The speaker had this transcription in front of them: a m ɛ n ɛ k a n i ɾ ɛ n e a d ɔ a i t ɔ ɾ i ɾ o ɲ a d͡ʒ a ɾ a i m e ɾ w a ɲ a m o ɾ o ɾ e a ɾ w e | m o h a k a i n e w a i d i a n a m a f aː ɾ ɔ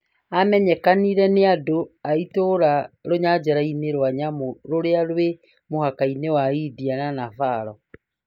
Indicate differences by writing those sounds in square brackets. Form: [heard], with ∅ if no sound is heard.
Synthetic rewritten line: a m ɛ [ɲ] ɛ k a n i ɾ ɛ n e a d [o] a i t [o] ɾ [a] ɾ o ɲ a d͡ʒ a ɾ a i [n] e ɾ w a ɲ a m o ɾ o ɾ e a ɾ w e | m o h a k a i n e w a i d i a n a [n] a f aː ɾ ɔ